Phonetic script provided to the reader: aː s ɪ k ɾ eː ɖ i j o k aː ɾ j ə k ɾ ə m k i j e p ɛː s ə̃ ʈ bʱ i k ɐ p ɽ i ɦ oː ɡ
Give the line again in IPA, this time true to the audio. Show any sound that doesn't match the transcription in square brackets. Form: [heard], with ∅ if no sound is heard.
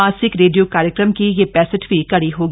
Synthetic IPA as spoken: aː s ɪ k ɾ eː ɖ i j o k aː ɾ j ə k ɾ ə m k i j e p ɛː s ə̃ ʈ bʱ i k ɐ [∅] ɽ i ɦ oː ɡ